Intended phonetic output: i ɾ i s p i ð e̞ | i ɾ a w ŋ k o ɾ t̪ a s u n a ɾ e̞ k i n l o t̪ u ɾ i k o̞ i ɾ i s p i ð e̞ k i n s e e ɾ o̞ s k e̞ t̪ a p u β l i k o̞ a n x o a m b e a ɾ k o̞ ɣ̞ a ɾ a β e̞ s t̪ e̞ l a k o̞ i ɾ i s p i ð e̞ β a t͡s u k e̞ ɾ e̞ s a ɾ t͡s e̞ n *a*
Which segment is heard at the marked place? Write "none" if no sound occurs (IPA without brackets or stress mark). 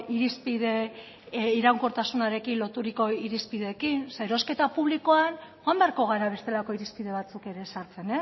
e